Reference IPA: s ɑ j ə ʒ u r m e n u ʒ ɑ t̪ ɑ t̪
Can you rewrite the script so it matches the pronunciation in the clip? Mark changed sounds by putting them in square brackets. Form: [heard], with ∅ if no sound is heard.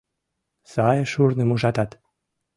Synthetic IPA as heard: s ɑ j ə [ʃ] u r [n] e [m] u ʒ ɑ t̪ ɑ t̪